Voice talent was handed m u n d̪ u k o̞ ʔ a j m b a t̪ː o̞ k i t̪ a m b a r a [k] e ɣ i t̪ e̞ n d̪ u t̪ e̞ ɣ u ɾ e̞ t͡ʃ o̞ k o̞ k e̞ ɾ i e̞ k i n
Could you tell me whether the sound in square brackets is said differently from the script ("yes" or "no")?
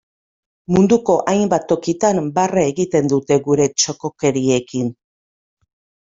yes